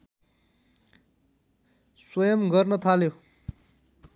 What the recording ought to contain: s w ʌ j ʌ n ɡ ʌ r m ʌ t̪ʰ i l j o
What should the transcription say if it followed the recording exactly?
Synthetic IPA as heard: s w ʌ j ʌ m ɡ ʌ r n ʌ t̪ʰ a l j o